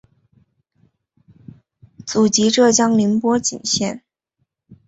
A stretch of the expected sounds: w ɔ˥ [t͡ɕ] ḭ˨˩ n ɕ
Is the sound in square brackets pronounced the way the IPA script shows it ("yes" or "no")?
yes